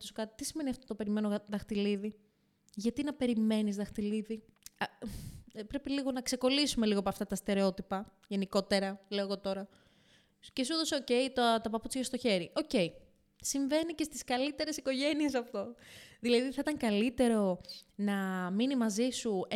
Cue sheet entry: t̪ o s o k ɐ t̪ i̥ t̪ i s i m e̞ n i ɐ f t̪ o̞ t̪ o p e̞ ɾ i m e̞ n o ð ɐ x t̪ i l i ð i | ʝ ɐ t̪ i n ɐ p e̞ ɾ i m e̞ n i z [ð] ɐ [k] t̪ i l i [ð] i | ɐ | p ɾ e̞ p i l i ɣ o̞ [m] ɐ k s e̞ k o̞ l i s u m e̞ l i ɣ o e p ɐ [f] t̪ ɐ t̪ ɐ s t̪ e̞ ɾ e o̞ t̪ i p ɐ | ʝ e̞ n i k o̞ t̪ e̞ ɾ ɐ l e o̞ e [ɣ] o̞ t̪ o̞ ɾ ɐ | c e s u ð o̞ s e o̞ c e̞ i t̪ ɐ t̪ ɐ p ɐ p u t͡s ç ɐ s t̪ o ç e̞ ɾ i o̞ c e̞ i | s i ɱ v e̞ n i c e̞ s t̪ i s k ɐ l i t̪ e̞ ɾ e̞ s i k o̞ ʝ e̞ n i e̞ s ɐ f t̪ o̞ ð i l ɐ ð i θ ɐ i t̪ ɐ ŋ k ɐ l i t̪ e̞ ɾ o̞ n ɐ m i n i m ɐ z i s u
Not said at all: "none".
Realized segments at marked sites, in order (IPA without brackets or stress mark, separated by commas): ð, x, ð, n, f, ɣ